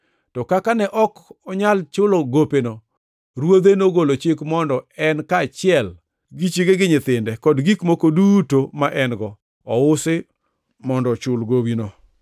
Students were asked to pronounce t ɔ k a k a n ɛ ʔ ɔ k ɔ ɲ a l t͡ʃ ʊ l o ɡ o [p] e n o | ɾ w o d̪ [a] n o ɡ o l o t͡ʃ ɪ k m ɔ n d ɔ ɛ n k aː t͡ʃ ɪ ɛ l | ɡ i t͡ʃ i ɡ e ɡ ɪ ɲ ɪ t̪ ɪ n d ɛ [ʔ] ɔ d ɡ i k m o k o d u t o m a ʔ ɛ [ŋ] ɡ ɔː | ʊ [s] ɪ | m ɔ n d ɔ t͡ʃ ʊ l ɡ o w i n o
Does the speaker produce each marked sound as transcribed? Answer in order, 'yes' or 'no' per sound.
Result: yes, no, no, no, yes

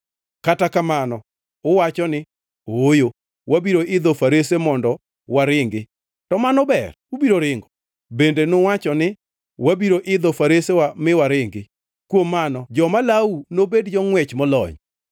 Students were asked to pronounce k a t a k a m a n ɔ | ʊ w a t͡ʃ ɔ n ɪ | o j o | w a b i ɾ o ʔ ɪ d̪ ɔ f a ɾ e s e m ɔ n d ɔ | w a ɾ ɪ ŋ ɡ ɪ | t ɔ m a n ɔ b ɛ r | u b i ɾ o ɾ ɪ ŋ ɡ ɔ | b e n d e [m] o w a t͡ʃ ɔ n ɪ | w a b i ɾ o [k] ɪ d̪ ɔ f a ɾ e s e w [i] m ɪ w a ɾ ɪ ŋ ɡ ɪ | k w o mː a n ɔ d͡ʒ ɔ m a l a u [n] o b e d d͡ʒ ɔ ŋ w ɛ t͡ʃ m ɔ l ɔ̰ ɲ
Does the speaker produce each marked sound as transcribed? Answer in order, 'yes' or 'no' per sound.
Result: no, no, no, yes

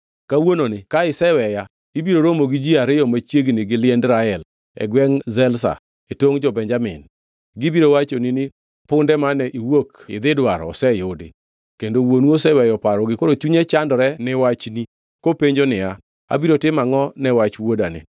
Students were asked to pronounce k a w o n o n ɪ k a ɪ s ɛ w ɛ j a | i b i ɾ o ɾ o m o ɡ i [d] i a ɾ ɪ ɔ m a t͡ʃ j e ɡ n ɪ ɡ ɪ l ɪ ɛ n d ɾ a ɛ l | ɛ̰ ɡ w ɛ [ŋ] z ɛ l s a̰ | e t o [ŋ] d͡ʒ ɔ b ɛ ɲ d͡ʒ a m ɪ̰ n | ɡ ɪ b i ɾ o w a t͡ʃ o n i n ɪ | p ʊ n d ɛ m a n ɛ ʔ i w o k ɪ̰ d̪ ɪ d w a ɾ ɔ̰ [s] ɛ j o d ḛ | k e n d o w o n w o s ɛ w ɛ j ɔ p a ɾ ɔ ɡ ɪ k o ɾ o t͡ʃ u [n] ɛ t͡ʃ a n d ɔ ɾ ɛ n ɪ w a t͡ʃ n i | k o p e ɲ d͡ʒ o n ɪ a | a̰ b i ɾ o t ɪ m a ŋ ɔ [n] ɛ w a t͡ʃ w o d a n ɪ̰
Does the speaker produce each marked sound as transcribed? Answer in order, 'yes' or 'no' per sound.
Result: no, yes, yes, yes, no, yes

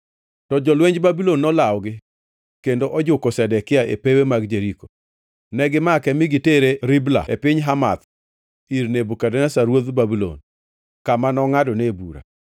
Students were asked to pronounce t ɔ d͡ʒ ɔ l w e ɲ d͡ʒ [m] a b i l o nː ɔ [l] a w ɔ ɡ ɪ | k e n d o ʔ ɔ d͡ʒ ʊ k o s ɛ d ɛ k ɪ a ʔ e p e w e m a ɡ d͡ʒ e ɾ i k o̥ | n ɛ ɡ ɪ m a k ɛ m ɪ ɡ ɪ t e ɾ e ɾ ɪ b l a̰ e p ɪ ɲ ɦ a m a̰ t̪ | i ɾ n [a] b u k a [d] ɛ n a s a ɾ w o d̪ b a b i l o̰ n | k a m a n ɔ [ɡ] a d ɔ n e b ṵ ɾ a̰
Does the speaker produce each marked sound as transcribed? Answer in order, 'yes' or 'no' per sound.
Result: no, yes, no, yes, no

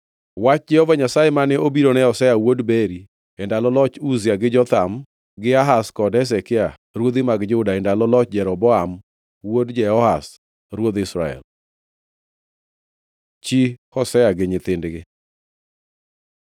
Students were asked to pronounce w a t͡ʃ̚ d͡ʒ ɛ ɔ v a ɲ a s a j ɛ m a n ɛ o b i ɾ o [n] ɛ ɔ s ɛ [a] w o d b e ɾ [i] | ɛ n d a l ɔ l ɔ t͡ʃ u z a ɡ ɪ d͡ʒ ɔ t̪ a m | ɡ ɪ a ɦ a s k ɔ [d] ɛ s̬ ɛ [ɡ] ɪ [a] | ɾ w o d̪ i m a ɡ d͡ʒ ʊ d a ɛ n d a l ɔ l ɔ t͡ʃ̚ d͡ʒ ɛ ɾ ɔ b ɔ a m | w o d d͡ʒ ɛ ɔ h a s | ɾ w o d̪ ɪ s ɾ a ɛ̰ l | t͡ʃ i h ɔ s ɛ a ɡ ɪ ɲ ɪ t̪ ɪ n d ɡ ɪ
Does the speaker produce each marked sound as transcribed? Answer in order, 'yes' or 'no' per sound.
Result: yes, yes, yes, yes, no, yes

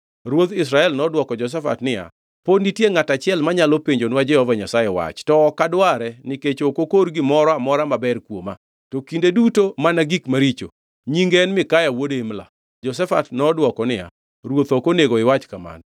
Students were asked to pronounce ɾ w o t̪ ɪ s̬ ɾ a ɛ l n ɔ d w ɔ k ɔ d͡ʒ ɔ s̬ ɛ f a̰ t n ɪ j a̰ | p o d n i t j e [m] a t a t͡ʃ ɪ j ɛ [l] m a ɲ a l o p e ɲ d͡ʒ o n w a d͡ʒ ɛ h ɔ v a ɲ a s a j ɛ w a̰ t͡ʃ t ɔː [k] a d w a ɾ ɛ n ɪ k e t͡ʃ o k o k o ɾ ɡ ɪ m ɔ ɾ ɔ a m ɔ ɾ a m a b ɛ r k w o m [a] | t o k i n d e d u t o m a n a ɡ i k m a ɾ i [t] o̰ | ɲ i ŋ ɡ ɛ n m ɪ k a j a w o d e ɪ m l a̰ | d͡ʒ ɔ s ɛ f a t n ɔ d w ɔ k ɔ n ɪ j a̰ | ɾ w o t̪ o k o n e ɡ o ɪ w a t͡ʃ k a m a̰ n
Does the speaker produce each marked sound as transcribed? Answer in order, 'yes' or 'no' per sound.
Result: no, yes, yes, yes, no

